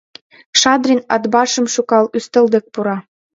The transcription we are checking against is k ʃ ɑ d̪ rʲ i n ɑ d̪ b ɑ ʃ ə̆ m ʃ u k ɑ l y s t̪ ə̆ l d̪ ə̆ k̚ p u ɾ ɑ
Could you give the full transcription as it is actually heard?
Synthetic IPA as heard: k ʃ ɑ d̪ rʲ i n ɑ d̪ b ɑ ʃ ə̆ m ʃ u k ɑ l y s t̪ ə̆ l d̪ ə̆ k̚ p u ɾ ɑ